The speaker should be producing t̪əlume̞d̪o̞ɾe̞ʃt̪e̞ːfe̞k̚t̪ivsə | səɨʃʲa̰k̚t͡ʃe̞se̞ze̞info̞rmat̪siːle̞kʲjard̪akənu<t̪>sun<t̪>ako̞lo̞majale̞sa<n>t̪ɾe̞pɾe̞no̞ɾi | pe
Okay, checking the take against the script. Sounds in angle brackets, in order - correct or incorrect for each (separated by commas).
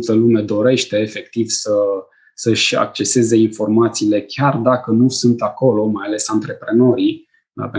incorrect, correct, correct